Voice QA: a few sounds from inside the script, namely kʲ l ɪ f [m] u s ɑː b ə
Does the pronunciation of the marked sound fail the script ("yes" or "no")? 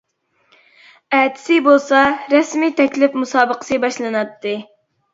no